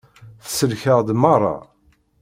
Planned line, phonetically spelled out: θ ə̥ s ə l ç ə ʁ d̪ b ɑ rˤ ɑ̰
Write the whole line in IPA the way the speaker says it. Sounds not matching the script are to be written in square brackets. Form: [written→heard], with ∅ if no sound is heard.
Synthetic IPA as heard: θ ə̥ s ə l ç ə ʁ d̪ [b→m] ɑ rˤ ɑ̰